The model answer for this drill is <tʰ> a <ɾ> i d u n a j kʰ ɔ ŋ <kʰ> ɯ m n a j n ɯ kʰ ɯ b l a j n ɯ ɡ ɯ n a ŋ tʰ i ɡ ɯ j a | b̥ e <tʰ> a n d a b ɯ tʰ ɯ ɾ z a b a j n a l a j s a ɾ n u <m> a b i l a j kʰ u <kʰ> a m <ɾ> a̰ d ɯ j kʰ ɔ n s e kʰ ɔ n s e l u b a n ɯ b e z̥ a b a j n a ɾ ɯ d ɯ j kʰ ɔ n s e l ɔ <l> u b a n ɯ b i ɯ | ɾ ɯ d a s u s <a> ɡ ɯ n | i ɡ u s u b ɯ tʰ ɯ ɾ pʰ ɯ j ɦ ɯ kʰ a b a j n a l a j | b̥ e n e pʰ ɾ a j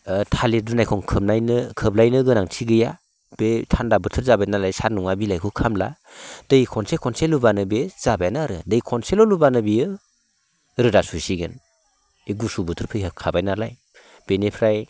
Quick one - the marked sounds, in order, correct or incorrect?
correct, incorrect: l, correct, correct, incorrect: ŋ, correct, incorrect: l, correct, incorrect: i

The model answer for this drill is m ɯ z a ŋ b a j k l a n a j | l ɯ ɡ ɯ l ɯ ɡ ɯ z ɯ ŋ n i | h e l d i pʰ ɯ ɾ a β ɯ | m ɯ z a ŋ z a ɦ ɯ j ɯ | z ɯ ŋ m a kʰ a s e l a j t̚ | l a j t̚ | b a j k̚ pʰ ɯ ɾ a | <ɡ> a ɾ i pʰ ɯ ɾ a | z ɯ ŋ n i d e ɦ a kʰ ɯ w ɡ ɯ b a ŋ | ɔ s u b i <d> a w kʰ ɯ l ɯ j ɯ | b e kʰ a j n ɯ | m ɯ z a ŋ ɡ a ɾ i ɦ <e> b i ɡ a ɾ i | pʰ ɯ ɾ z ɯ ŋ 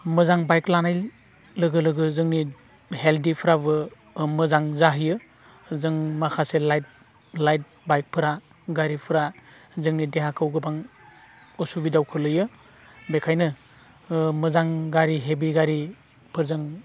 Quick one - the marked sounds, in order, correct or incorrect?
correct, correct, correct

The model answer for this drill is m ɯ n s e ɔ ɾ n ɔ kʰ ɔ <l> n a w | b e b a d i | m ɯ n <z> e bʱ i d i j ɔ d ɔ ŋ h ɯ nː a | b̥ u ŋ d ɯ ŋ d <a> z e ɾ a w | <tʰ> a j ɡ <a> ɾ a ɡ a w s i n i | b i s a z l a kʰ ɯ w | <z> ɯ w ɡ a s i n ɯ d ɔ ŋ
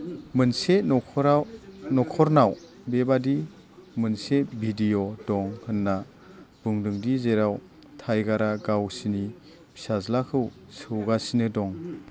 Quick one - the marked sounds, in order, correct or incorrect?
incorrect: ɾ, incorrect: s, incorrect: i, correct, correct, incorrect: s

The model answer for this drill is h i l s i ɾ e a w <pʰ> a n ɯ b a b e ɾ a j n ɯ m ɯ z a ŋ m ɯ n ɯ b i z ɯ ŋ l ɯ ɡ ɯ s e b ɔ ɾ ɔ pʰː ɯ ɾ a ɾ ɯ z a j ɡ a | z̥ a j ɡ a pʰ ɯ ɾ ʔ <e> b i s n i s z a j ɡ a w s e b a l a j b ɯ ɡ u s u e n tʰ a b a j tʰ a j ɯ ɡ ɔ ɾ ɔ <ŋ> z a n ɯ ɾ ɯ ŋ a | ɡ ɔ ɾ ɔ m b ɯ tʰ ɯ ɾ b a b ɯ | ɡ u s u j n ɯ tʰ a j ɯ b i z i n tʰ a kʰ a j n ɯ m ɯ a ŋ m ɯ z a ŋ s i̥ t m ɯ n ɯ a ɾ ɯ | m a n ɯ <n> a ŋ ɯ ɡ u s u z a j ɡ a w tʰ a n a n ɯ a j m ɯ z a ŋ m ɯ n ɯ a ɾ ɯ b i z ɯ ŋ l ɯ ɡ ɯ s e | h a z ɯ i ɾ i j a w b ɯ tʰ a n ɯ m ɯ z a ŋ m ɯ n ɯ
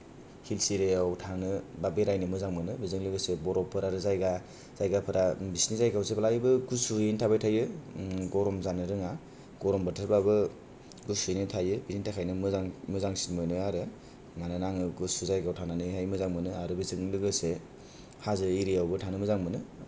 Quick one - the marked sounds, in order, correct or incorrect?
incorrect: tʰ, incorrect: a, incorrect: m, correct

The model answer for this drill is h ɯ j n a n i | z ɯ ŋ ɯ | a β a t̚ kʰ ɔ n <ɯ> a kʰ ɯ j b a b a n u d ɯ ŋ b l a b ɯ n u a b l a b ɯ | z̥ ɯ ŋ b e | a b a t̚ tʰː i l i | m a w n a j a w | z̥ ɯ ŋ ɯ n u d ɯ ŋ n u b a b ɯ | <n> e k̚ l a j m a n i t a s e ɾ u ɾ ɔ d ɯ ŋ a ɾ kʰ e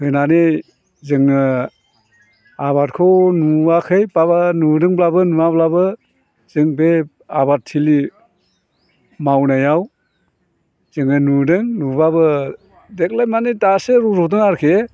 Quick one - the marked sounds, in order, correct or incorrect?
incorrect: u, incorrect: d

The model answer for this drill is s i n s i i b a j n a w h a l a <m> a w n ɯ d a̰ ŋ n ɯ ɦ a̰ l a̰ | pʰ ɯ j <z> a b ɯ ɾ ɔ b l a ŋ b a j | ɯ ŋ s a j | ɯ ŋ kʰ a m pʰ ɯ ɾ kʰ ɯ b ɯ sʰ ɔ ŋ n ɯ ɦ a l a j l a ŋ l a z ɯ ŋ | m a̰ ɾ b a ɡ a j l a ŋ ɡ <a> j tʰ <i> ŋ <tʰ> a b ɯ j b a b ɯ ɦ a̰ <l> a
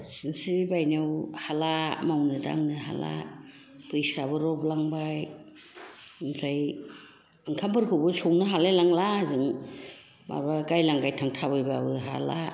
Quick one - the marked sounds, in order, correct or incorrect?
correct, incorrect: s, correct, incorrect: a, correct, correct

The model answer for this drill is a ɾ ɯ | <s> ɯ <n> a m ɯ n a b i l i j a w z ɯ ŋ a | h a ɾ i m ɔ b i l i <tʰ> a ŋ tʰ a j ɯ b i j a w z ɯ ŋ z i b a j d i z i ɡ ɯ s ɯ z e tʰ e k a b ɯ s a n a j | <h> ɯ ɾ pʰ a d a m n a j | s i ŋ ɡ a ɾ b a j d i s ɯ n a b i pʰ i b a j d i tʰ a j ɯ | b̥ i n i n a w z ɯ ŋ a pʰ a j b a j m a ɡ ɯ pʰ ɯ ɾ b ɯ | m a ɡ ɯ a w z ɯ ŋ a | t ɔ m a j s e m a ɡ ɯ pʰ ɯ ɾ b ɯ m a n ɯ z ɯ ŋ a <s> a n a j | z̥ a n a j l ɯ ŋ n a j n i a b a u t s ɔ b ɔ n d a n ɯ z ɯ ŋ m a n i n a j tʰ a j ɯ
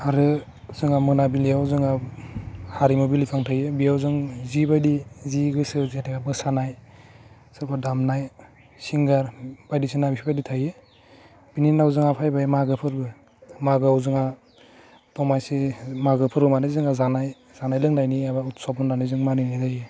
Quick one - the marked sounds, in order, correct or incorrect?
incorrect: z, incorrect: ŋ, incorrect: pʰ, incorrect: s, incorrect: z

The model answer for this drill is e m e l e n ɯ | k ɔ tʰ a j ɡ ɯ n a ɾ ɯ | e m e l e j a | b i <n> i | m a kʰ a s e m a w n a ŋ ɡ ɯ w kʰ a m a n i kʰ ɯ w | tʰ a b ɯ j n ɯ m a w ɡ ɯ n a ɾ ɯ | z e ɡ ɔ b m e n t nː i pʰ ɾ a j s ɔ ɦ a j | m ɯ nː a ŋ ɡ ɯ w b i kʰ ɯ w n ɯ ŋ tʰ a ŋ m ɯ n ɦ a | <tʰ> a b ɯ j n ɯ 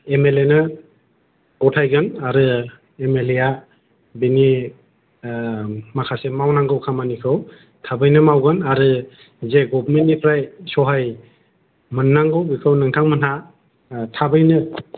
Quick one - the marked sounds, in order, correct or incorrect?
correct, correct

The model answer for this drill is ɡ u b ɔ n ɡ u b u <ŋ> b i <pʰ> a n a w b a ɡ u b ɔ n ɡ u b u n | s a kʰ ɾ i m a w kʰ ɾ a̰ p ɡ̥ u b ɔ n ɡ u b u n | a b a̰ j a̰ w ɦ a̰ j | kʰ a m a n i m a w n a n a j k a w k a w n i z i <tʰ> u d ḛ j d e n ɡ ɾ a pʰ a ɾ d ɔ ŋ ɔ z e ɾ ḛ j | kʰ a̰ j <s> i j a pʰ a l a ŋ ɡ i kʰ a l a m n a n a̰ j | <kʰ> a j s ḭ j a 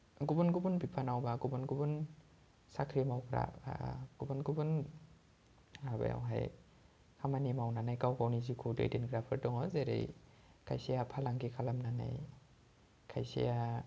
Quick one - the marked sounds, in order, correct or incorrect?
incorrect: n, correct, incorrect: kʰ, correct, correct

